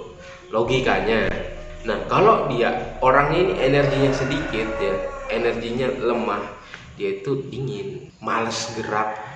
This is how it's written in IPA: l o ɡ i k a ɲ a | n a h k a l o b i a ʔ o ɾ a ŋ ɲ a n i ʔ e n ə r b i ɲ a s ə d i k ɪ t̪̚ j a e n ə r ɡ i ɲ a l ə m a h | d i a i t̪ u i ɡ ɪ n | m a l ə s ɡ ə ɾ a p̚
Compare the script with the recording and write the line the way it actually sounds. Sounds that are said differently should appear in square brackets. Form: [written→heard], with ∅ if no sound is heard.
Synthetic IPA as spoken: l o ɡ i k a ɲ a | n a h k a l o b i a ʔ o ɾ a ŋ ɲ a n i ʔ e n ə r [b→ɡ] i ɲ a s ə d i k ɪ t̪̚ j a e n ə r ɡ i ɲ a l ə m a h | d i a i t̪ u i [ɡ→ŋ] ɪ n | m a l ə s ɡ ə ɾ a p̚